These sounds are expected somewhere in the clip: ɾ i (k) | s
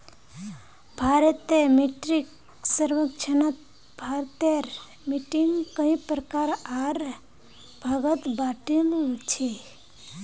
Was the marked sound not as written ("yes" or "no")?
no